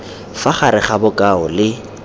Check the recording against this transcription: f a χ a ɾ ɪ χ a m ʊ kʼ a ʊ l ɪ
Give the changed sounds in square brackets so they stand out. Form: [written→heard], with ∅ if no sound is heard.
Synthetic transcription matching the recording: f a χ a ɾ ɪ χ a [m→b] ʊ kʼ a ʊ l ɪ